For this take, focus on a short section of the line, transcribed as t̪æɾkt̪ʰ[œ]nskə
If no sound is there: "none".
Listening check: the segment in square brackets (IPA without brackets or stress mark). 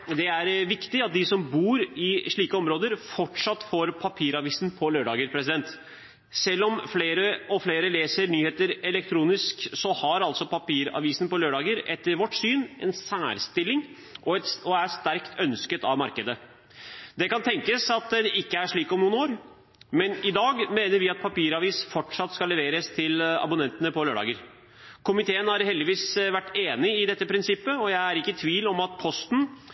œ